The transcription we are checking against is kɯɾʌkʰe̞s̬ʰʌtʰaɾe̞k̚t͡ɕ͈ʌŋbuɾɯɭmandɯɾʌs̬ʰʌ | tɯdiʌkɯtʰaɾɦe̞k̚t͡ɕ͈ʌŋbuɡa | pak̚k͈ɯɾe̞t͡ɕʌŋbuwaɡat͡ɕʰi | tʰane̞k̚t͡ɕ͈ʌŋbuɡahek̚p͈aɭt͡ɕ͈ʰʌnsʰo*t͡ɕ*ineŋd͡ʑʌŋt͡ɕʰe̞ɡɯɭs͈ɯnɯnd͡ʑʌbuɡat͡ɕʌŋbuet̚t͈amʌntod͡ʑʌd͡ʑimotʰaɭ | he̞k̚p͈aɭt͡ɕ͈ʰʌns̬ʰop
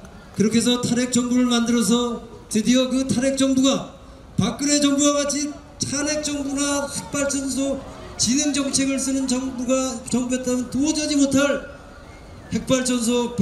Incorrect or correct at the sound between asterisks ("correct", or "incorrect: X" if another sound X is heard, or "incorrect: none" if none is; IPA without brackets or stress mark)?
correct